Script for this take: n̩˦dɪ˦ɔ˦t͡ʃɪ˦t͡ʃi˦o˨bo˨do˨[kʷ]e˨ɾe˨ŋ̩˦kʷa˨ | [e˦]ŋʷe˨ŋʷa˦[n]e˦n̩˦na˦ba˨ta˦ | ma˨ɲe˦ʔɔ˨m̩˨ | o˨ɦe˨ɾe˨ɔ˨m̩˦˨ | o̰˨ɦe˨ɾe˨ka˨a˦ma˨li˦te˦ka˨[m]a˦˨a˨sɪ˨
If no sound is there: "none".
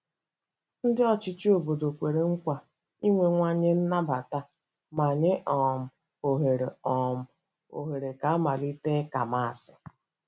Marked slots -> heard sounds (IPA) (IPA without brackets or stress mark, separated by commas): kʷ, i˦, ɲ, m